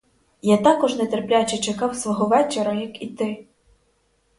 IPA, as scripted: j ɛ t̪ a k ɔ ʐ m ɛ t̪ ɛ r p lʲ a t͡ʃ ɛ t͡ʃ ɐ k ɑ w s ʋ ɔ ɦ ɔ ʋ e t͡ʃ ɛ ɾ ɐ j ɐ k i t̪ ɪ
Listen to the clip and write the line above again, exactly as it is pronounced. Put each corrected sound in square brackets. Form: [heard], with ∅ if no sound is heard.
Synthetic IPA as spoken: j [a] t̪ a k ɔ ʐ [n] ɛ t̪ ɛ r p lʲ a t͡ʃ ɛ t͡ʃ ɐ k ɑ w s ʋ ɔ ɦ ɔ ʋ [ɛ] t͡ʃ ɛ ɾ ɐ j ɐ k i t̪ ɪ